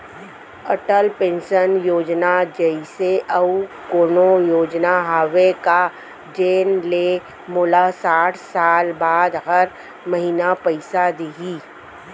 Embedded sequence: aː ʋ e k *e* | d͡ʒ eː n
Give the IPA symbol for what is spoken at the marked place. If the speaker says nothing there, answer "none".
a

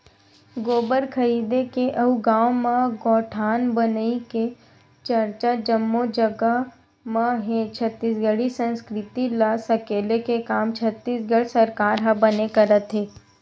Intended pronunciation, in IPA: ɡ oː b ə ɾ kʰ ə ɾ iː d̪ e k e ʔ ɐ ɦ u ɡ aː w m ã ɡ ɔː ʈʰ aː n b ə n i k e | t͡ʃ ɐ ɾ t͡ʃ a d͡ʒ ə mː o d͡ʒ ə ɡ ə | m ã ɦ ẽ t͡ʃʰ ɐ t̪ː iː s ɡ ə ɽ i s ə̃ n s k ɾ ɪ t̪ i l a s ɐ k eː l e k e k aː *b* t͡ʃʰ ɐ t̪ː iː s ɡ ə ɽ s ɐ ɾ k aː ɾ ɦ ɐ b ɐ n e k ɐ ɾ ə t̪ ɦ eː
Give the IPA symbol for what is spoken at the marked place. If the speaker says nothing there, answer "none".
m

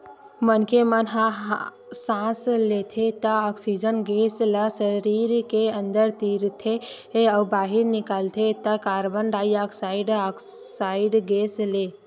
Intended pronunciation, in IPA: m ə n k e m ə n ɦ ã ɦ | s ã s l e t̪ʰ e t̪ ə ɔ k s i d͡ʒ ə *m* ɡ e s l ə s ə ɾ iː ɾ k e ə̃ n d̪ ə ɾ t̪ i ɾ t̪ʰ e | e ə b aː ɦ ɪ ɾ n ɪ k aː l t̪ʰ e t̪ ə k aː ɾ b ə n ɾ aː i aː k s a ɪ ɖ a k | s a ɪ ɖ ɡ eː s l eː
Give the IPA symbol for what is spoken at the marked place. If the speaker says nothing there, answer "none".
n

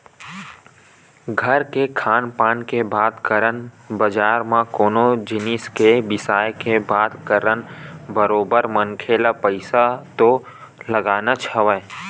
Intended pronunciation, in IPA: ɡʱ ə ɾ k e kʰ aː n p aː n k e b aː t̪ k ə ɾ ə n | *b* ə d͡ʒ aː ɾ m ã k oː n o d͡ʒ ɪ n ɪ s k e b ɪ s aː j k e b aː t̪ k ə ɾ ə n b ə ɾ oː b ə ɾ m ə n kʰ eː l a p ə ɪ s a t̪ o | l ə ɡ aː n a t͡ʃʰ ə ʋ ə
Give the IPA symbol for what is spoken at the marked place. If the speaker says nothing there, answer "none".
b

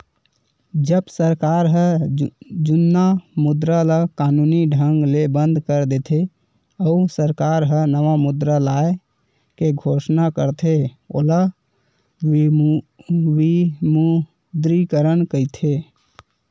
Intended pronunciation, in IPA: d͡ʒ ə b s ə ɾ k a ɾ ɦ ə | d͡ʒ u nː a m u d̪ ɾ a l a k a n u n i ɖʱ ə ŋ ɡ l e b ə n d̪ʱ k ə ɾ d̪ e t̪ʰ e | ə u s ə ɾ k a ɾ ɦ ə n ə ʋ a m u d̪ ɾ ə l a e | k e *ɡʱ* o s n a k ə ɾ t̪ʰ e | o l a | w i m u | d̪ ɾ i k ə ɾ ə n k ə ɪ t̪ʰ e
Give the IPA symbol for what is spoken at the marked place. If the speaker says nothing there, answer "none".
ɡʱ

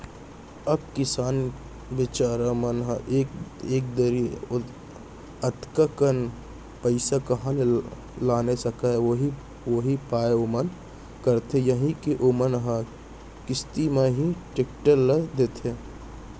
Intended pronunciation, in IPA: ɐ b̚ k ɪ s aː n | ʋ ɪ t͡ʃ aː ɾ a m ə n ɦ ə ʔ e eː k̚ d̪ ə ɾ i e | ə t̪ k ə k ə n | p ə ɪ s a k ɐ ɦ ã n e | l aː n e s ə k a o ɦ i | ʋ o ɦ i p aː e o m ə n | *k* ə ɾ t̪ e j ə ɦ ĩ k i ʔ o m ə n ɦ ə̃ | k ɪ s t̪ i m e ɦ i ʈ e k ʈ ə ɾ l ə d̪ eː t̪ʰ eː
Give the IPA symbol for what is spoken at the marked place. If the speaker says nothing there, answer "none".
k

